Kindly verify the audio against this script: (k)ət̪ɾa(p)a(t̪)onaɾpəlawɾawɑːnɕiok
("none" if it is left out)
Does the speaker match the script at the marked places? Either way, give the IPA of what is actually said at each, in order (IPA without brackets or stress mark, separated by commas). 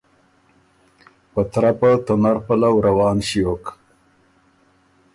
p, p, t̪